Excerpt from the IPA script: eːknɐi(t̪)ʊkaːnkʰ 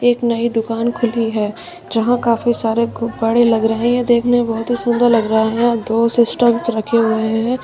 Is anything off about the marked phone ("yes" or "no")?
yes